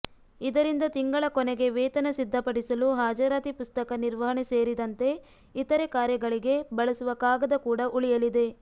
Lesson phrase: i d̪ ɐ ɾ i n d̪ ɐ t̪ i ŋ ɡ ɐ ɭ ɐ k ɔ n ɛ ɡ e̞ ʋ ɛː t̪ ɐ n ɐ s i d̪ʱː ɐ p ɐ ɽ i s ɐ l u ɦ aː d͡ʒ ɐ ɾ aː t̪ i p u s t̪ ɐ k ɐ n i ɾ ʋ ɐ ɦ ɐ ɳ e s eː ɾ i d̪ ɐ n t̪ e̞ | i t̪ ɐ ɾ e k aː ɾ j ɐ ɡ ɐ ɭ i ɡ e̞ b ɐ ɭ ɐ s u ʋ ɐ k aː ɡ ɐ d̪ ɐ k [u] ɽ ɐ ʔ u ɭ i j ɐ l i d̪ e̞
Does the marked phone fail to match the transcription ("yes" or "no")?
yes